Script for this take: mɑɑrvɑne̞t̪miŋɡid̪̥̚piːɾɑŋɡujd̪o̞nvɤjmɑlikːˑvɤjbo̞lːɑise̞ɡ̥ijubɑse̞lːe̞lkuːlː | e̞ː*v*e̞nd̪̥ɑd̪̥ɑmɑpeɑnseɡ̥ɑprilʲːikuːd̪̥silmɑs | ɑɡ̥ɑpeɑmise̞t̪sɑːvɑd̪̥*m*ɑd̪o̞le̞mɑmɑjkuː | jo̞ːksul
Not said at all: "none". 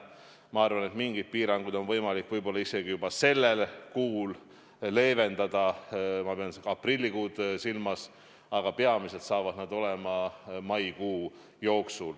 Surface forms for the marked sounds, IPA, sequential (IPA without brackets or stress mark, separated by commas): v, n